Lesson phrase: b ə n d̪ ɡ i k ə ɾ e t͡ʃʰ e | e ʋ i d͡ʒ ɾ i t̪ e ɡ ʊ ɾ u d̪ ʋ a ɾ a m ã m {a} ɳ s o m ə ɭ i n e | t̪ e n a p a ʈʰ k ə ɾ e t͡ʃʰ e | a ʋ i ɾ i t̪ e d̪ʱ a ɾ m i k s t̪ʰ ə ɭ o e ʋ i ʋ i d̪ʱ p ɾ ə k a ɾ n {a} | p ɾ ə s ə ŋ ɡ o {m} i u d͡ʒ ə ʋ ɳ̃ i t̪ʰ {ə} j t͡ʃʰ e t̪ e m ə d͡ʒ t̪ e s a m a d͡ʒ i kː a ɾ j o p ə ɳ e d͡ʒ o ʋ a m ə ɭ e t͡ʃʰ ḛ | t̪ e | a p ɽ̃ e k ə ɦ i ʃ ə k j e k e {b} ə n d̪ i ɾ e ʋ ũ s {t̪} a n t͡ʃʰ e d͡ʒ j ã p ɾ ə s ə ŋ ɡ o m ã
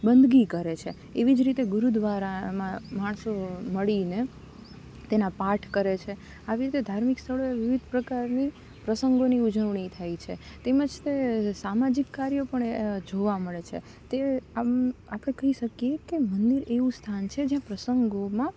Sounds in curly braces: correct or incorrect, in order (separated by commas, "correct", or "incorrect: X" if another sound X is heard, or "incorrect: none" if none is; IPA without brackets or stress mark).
correct, incorrect: i, incorrect: n, incorrect: a, incorrect: m, incorrect: t̪ʰ